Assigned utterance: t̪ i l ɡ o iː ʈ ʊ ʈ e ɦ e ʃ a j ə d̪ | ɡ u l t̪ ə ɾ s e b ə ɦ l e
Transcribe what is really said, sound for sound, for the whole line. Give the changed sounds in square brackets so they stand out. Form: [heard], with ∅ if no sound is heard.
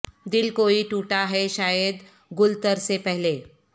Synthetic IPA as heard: [d̪] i l [k] o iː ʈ [u] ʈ [a] ɦ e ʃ a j ə d̪ | ɡ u l t̪ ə ɾ s e [p] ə ɦ l e